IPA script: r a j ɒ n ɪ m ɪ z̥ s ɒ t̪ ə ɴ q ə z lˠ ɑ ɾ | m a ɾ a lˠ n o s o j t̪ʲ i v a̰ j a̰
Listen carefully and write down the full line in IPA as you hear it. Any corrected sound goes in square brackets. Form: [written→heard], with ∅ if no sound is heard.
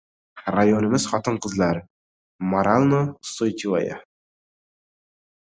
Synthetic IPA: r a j [ɒ→o] n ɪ m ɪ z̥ [s→χ] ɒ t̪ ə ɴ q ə z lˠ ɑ ɾ | m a ɾ a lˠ n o s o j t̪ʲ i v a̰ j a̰